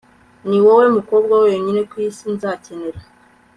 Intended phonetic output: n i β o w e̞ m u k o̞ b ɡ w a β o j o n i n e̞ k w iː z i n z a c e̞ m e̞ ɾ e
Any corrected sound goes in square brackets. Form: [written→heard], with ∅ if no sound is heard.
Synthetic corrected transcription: n i [β→w] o w e̞ m u k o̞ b ɡ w a [β→w] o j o [n→ɲ] i n e̞ k w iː [z→s] i n z a c e̞ [m→n] e̞ ɾ [e→a]